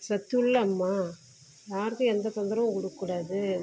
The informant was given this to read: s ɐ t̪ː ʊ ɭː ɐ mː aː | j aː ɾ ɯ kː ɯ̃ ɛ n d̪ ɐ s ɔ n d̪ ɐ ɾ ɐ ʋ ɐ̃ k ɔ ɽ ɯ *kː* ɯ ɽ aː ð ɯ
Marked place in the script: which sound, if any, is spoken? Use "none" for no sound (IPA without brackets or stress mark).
kː